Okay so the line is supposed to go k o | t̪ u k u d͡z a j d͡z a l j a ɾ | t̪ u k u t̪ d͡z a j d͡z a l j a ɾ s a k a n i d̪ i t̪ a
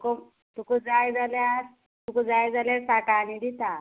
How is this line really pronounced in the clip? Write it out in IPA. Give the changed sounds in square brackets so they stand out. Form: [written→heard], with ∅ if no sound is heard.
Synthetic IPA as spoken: k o | t̪ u k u d͡z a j d͡z a l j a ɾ | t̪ u k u [t̪→∅] d͡z a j d͡z a l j a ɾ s a k a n i d̪ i t̪ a

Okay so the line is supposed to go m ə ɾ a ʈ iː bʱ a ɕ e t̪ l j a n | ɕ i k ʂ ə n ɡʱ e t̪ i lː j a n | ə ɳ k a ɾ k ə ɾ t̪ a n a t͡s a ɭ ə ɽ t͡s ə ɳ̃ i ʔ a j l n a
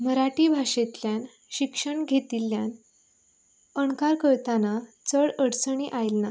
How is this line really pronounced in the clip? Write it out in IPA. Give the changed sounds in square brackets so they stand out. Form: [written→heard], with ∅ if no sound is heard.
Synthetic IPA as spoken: m ə ɾ a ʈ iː bʱ a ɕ e t̪ l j a n | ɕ i k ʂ ə [n→ɳ] ɡʱ e t̪ i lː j a n | ə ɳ k a ɾ k ə ɾ t̪ a n a t͡s [a→ə] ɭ ə ɽ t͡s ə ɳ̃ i ʔ a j l n a

